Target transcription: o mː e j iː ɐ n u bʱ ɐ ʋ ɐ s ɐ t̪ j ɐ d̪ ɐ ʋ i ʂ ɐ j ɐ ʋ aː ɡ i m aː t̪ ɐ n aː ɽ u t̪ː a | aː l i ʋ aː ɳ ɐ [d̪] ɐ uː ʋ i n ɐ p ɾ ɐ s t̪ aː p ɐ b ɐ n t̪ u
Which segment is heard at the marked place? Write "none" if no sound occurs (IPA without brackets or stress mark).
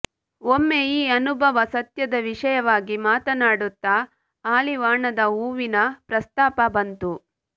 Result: d̪